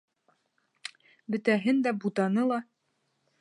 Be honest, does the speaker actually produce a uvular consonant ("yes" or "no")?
no